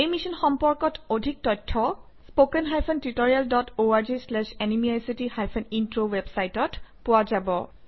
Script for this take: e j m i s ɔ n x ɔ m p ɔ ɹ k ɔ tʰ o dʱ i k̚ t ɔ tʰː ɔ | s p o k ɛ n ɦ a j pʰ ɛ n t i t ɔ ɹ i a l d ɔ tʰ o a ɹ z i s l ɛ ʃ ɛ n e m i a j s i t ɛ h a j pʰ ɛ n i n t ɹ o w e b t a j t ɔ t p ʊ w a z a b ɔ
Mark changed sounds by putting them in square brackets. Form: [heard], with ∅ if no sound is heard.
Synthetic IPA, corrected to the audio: e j m i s ɔ n x ɔ m p ɔ ɹ k ɔ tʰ o dʱ i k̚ t ɔ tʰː ɔ | s p o k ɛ n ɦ a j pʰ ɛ n t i t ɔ ɹ i a l d ɔ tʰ o a ɹ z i s l ɛ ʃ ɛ n [i] m i a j s i t [i] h a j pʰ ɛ n i n t ɹ o w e b [s] a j t ɔ t p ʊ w a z a b ɔ